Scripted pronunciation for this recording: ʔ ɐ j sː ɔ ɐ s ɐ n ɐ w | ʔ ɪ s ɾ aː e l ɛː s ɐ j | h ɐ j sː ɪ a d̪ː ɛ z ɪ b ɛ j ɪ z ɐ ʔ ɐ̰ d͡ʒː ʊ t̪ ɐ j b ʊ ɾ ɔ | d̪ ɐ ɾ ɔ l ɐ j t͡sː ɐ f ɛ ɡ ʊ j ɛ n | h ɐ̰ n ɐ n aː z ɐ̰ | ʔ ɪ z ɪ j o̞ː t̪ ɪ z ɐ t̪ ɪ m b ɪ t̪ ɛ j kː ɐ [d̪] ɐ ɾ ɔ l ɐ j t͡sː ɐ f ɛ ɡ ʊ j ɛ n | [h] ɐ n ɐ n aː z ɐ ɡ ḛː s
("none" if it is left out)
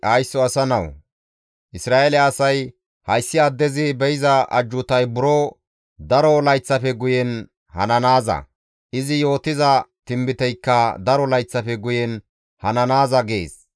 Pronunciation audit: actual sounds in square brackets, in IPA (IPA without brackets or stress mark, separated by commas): d̪, h